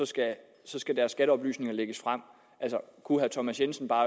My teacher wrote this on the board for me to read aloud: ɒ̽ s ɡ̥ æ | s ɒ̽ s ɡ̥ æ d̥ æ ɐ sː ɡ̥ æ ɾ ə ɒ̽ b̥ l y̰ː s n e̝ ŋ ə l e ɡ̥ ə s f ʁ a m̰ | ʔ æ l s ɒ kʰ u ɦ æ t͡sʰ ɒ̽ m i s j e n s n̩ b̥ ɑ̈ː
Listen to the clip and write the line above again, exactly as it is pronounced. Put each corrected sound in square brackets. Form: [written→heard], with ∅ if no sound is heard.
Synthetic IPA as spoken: ɒ̽ s ɡ̥ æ | s ɒ̽ s ɡ̥ æ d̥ æ ɐ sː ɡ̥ æ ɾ ə ɒ̽ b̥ l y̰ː s n e̝ ŋ [ə→ɐ] l e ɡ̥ ə s f ʁ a m̰ | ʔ æ l s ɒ kʰ u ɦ æ t͡sʰ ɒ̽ m [i→æ] s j e n s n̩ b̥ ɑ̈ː